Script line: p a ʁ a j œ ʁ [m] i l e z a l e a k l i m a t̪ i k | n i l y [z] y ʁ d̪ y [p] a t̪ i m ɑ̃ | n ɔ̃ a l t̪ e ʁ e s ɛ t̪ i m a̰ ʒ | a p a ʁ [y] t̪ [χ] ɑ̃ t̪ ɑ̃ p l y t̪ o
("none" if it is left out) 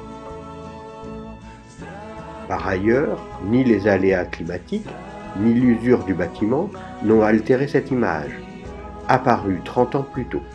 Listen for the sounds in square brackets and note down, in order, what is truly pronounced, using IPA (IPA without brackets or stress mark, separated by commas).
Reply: n, z, b, y, χ